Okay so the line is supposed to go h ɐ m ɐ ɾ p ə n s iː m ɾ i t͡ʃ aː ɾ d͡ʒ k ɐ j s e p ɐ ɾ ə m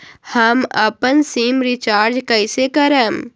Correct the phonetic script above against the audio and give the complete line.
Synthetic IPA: h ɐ m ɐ p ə n s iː m ɾ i t͡ʃ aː ɾ d͡ʒ k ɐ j s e k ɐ ɾ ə m

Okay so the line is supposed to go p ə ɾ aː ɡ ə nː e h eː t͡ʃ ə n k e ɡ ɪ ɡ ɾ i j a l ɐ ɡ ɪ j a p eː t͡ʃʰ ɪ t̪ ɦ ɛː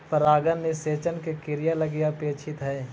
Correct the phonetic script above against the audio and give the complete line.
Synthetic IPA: p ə ɾ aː ɡ ə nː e s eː t͡ʃ ə n k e k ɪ ɾ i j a l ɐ ɡ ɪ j a p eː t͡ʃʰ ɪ t̪ ɦ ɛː

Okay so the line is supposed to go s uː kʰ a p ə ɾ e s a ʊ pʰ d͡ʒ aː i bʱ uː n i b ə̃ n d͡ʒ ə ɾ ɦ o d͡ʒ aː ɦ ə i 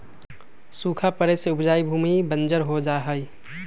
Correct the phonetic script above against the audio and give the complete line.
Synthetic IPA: s uː kʰ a p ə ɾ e s e ʊ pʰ d͡ʒ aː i bʱ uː m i b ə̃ n d͡ʒ ə ɾ ɦ o d͡ʒ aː ɦ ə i

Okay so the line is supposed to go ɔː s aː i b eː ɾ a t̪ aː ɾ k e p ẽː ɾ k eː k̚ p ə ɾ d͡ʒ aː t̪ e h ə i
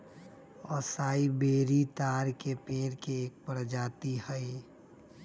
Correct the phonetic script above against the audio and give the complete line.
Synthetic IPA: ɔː s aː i b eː ɾ i t̪ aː ɾ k e p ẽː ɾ k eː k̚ p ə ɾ d͡ʒ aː t̪ i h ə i

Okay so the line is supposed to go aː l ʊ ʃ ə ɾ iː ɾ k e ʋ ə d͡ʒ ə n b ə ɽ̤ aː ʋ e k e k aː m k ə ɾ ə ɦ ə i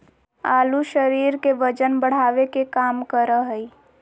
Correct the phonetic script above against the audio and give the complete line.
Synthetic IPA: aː l u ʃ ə ɾ iː ɾ k e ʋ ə d͡ʒ ə n b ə ɽ̤ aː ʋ e k e k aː m k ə ɾ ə ɦ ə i

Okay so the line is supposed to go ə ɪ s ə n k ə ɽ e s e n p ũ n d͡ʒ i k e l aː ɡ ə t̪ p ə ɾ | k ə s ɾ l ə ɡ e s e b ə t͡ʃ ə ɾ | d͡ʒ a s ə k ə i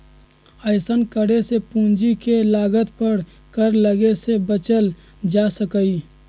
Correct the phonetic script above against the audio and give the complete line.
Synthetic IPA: ə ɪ s ə n k ə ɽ e s e p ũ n d͡ʒ i k e l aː ɡ ə t̪ p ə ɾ | k ə ɾ l ə ɡ e s e b ə t͡ʃ ə l | d͡ʒ a s ə k ə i

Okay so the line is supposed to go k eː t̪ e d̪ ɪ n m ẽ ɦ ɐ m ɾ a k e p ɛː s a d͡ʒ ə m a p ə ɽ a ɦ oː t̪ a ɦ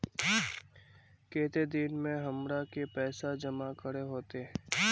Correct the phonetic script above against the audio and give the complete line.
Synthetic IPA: k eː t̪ e d̪ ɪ n m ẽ ɦ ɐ m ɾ a k e p ɛː s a d͡ʒ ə m a k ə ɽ e ɦ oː t̪ e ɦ

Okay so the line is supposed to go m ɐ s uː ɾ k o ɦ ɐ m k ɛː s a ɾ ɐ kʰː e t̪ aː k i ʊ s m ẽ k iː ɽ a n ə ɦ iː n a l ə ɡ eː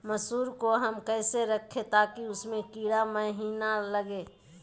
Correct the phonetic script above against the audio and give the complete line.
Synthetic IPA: m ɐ s uː ɾ k o ɦ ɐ m k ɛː s e ɾ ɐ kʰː e t̪ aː k i ʊ s m ẽ k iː ɽ a m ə ɦ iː n a l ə ɡ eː

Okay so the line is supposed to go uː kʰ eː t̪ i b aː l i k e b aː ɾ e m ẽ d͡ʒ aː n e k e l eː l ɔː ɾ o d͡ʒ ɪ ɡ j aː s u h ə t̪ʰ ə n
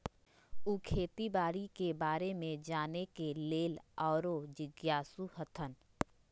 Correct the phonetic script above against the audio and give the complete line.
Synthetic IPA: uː kʰ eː t̪ i b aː ɾ i k e b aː ɾ e m ẽ d͡ʒ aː n e k e l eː l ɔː ɾ o d͡ʒ ɪ ɡ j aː s u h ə t̪ʰ ə n

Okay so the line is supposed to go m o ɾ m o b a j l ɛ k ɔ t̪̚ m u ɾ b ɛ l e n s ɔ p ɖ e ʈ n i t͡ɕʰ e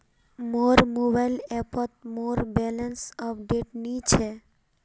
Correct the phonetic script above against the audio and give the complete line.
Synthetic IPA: m o ɾ m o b a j l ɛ p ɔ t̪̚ m o ɾ b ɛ l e n s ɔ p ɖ e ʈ n i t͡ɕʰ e

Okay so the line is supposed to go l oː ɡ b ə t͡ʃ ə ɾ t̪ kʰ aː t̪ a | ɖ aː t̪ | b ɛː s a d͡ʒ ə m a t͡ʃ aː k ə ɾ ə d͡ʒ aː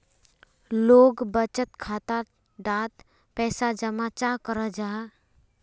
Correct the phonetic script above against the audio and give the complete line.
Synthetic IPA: l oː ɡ b ə t͡ʃ ə t̪ kʰ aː t̪ a | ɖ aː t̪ | p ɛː s a d͡ʒ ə m a t͡ʃ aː k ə ɾ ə d͡ʒ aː

